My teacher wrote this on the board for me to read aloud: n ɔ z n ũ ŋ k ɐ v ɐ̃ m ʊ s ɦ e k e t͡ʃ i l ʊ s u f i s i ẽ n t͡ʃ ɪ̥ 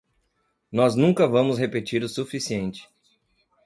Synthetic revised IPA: n ɔ z n ũ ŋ k ɐ v ɐ̃ m ʊ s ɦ e p e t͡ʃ i ɾ ʊ s u f i s i ẽ n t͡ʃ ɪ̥